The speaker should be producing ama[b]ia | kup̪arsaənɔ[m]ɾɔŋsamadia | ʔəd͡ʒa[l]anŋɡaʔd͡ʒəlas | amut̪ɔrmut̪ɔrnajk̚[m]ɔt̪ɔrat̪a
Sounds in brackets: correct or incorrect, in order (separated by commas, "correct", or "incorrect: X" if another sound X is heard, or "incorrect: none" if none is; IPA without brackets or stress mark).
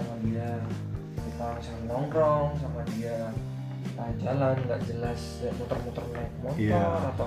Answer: incorrect: d, incorrect: ŋ, correct, correct